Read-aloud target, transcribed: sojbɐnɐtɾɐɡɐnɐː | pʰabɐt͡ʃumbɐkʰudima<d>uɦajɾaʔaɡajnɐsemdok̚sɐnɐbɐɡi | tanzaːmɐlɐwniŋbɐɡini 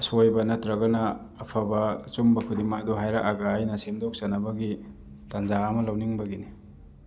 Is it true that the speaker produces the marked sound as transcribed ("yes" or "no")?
yes